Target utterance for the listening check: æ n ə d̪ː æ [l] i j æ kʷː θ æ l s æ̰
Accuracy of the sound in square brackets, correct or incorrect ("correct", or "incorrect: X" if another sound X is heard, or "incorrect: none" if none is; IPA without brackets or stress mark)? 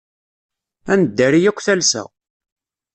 incorrect: ɾ